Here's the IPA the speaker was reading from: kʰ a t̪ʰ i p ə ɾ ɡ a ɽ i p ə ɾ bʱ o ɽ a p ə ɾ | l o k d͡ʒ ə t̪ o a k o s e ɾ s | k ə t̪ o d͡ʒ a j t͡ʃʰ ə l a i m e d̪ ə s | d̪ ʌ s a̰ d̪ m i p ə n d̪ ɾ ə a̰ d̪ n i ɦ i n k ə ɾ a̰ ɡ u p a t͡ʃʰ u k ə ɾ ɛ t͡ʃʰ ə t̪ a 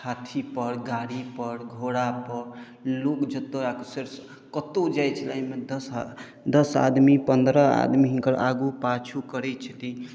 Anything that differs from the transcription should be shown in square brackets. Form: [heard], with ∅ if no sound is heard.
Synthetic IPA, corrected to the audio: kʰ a t̪ʰ i p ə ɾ ɡ a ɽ i p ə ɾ [ɡʱ] o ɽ a p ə ɾ | l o k d͡ʒ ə t̪ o a k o s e ɾ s | k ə t̪ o d͡ʒ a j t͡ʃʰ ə l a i m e d̪ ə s | d̪ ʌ s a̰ d̪ m i p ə n d̪ ɾ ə a̰ d̪ [m] i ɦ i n k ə ɾ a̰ ɡ u p a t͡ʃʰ u k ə ɾ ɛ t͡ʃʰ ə t̪ [i]